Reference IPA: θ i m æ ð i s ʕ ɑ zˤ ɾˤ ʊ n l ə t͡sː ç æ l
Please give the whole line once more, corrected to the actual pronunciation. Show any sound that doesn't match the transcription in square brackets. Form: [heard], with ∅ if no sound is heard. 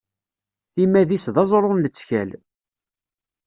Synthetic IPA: θ i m æ ð i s [ð] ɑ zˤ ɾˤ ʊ n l ə t͡sː ç æ l